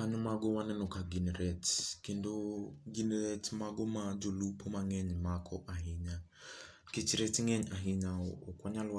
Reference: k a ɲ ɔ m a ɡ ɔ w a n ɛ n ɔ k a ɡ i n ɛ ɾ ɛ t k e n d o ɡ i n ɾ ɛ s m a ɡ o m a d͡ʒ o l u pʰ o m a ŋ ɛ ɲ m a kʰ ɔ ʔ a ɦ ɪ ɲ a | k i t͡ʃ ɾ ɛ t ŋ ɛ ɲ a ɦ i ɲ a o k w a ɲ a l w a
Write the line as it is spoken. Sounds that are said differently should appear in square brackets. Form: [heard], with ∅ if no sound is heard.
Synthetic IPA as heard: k a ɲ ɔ m a ɡ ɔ w a n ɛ n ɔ k a ɡ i n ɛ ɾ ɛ t k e n d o ɡ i n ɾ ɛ [t] m a ɡ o m a d͡ʒ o l u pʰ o m a ŋ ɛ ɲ m a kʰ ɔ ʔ a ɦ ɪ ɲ a | k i t͡ʃ ɾ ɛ t ŋ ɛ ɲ a ɦ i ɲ a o k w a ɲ a l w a